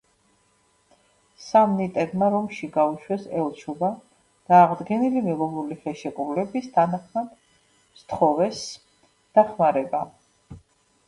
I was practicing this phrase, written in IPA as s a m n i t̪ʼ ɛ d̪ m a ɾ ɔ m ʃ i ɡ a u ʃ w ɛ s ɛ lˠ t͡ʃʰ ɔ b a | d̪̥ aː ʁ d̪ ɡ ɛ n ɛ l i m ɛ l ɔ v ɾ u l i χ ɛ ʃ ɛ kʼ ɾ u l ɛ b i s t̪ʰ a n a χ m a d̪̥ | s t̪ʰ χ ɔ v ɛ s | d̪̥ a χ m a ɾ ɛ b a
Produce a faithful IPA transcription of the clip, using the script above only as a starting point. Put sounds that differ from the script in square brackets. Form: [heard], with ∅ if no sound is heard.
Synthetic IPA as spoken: s a m n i t̪ʼ ɛ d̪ m a ɾ ɔ m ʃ i ɡ a u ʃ w ɛ s ɛ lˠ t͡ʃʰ ɔ b a | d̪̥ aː ʁ d̪ ɡ ɛ n [i] l i m ɛ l ɔ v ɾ u l i χ ɛ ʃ ɛ kʼ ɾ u l ɛ b i s t̪ʰ a n a χ m a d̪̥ | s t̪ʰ χ ɔ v ɛ s | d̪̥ a χ m a ɾ ɛ b a

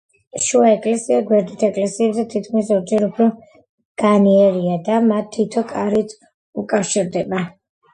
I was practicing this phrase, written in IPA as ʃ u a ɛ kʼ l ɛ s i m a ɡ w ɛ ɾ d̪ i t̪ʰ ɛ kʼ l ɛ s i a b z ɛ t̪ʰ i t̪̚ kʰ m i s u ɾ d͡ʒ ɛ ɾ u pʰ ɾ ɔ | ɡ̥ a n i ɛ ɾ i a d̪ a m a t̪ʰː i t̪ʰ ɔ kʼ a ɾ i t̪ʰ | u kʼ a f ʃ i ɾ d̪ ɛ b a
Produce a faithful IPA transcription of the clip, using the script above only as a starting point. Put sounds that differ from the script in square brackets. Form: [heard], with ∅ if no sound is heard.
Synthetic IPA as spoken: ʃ u a ɛ kʼ l ɛ s i [∅] a ɡ w ɛ ɾ d̪ i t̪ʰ ɛ kʼ l ɛ s i [ɛ] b z ɛ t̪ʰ i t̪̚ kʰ m i s [ɔ] ɾ d͡ʒ ɛ ɾ u pʰ ɾ ɔ | ɡ̥ a n i ɛ ɾ i a d̪ a m a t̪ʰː i t̪ʰ ɔ kʼ a ɾ i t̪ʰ | u kʼ a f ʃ i ɾ d̪ ɛ b a

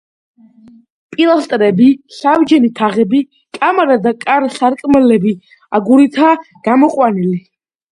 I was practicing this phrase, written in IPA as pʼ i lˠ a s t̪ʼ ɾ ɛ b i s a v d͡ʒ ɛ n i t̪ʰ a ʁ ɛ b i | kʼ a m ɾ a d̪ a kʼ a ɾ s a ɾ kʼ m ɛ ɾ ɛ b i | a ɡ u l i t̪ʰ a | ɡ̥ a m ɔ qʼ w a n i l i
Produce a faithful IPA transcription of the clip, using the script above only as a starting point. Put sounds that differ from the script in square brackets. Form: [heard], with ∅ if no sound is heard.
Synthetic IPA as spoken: pʼ i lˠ a s t̪ʼ ɾ ɛ b i s a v d͡ʒ ɛ n i t̪ʰ a ʁ ɛ b i | kʼ a m ɾ a d̪ a kʼ a ɾ s a ɾ kʼ m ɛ [l] ɛ b i | a ɡ u [ɾ] i t̪ʰ a | ɡ̥ a m ɔ qʼ w a n i l i

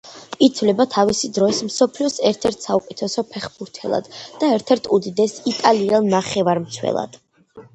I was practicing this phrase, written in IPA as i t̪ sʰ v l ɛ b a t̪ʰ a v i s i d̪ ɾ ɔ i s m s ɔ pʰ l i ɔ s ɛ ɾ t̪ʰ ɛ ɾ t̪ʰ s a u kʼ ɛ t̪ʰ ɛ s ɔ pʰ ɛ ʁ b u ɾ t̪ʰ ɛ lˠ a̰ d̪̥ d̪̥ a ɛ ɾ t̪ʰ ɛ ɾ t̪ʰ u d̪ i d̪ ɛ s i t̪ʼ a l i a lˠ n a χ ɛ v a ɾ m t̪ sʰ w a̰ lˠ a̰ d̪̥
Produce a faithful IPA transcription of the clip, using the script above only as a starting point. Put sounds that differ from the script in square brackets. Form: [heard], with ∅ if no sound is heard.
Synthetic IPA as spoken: i t̪ sʰ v l ɛ b a t̪ʰ a v i s i d̪ ɾ ɔ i s m s ɔ pʰ l i ɔ s ɛ ɾ t̪ʰ ɛ ɾ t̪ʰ s a u kʼ ɛ t̪ʰ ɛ s ɔ pʰ ɛ [χ] b u ɾ t̪ʰ ɛ lˠ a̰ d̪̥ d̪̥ a ɛ ɾ t̪ʰ ɛ ɾ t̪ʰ u d̪ i d̪ ɛ s i t̪ʼ a l i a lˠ n a χ ɛ v a ɾ m t̪ sʰ w [ɛ̰] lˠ a̰ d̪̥

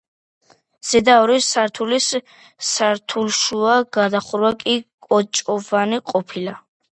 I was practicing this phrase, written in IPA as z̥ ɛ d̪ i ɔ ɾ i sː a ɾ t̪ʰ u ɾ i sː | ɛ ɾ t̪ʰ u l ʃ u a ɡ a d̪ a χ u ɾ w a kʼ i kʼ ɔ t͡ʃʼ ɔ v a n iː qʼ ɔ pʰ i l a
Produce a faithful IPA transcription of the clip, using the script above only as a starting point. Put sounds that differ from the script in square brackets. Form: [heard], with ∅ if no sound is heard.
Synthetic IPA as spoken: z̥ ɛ d̪ [a] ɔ ɾ i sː a ɾ t̪ʰ u [l] i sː | [a] ɾ t̪ʰ u l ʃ u a ɡ a d̪ a χ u ɾ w a kʼ i kʼ ɔ t͡ʃʼ ɔ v a n [i] qʼ ɔ pʰ i l a

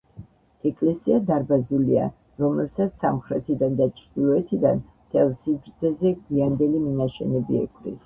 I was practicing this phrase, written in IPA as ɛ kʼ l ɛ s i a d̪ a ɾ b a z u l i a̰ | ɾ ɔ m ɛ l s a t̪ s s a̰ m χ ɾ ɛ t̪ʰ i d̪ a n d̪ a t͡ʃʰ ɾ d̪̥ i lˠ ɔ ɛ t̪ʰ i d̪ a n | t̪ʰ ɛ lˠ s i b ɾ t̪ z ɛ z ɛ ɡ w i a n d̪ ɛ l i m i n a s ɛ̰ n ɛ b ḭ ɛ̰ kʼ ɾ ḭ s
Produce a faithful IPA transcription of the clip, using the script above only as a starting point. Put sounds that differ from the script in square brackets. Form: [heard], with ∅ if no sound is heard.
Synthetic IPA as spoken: ɛ kʼ l ɛ s i a d̪ a ɾ b a z u l i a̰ | ɾ ɔ m ɛ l s a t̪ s s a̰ m χ ɾ ɛ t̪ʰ i d̪ a n d̪ a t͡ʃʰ ɾ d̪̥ i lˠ ɔ ɛ t̪ʰ i d̪ a n | t̪ʰ ɛ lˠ s i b ɾ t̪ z ɛ z ɛ ɡ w i a n d̪ ɛ l i m i n a [ʃ] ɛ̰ n ɛ b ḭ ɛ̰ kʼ ɾ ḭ s

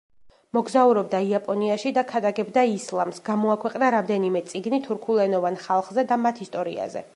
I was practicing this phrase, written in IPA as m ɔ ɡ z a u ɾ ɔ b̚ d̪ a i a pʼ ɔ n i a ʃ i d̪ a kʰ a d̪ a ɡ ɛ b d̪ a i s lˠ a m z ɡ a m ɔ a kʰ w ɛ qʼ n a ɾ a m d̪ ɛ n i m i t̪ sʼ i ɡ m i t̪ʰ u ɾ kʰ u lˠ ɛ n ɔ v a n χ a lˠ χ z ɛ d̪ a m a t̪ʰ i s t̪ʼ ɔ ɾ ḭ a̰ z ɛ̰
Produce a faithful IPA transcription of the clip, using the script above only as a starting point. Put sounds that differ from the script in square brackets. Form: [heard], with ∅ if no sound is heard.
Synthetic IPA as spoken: m ɔ ɡ z a u ɾ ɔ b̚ d̪ a i a pʼ ɔ n i a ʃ i d̪ a kʰ a d̪ a ɡ ɛ b d̪ a i s lˠ a m [s] ɡ a m ɔ a kʰ w ɛ qʼ n a ɾ a m d̪ ɛ n i m [ɛ] t̪ sʼ i ɡ [n] i t̪ʰ u ɾ kʰ u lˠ ɛ n ɔ v a n χ a lˠ χ z ɛ d̪ a m a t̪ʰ i s t̪ʼ ɔ ɾ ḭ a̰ z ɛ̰

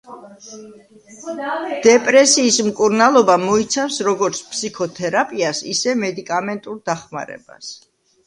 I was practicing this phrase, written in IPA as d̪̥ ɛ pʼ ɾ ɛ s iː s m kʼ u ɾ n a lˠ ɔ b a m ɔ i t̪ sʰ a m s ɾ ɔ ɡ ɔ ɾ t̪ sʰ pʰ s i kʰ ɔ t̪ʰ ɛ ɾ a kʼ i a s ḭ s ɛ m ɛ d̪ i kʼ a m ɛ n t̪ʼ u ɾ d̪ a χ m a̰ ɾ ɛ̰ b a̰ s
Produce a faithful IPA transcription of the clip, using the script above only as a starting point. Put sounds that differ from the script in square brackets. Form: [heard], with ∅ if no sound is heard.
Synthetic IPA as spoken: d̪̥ ɛ pʼ ɾ ɛ s iː s m kʼ u ɾ n a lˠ ɔ b a m ɔ i t̪ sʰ a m s ɾ ɔ ɡ ɔ ɾ t̪ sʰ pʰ s i kʰ ɔ t̪ʰ ɛ ɾ a [pʼ] i a s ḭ s ɛ m ɛ d̪ i kʼ a m ɛ n t̪ʼ u ɾ d̪ a χ m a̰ ɾ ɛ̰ b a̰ s

